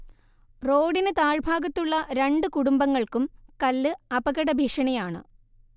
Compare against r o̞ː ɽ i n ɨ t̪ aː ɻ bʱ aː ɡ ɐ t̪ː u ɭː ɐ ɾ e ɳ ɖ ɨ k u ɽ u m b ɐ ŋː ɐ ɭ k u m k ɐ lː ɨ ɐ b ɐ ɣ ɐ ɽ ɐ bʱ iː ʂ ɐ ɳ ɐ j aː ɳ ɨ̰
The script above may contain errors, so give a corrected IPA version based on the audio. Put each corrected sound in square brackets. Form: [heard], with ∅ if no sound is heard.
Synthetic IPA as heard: r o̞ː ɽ i n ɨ t̪ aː ɻ bʱ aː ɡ ɐ t̪ː u ɭː ɐ ɾ e ɳ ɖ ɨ k u ɽ u m b ɐ ŋː ɐ ɭ k u m k ɐ lː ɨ ɐ b ɐ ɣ ɐ ɽ ɐ bʱ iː ʂ ɐ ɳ ɐ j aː ɳ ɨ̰